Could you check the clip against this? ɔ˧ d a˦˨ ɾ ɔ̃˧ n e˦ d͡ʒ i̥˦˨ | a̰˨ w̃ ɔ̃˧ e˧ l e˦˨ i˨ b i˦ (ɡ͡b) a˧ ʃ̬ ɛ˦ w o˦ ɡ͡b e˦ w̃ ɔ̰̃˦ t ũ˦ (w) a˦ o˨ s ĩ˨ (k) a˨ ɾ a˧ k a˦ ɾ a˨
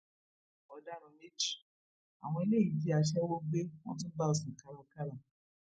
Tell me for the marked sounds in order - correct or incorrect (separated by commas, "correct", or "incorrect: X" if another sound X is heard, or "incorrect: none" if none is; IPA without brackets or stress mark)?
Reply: incorrect: none, incorrect: b, correct